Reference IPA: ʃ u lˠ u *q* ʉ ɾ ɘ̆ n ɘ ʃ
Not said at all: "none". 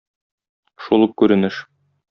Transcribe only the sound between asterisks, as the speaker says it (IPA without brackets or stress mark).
k